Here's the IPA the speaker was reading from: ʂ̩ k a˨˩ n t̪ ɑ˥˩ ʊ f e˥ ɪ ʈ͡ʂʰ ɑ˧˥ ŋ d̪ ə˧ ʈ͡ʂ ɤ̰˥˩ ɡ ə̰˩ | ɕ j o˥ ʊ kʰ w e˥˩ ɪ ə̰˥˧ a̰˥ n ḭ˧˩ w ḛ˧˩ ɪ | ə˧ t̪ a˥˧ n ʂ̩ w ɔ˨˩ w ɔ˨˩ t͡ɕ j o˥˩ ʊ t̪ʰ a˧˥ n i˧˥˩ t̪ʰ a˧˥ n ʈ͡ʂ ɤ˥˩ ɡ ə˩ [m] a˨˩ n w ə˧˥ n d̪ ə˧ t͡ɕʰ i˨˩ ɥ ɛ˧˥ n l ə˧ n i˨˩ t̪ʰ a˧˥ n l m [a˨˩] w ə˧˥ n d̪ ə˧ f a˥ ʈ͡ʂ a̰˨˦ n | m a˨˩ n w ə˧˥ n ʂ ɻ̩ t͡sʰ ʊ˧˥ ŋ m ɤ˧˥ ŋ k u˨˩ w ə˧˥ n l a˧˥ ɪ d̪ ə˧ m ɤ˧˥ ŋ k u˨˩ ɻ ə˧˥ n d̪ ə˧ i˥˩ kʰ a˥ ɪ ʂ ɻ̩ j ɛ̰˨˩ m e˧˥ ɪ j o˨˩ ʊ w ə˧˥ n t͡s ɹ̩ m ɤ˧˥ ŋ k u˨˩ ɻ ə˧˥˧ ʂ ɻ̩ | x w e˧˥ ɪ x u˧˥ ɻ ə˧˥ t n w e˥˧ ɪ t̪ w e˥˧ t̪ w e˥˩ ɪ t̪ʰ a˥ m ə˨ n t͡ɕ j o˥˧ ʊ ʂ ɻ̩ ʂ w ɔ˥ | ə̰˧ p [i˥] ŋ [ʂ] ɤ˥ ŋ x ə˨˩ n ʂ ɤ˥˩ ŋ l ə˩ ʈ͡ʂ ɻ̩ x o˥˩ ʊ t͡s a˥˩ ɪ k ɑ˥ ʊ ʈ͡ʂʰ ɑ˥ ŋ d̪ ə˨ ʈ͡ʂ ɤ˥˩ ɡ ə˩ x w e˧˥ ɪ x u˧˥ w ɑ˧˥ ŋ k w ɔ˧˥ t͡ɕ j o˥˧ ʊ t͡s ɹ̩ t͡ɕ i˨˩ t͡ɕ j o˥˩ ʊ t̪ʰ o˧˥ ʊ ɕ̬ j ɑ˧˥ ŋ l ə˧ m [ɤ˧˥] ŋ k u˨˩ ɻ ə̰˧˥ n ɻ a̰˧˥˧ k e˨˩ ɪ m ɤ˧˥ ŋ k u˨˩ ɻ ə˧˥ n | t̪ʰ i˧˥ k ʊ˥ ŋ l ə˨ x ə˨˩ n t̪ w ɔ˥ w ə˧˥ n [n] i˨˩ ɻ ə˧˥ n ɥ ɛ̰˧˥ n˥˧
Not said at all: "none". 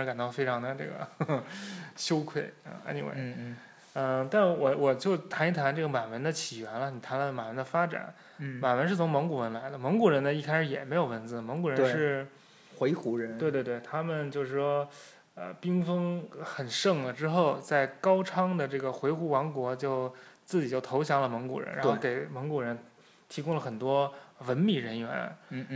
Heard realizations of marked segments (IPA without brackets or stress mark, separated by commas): m, a˨˩, i˥, f, ɤ˧˥, m